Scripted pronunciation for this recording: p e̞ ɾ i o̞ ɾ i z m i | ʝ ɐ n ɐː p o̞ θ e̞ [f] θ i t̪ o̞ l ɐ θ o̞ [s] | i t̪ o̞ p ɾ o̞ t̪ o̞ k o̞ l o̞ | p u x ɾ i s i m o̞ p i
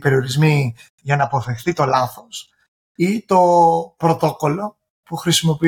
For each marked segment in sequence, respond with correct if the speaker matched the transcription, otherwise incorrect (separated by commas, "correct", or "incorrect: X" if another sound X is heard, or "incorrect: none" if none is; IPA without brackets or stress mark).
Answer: incorrect: x, correct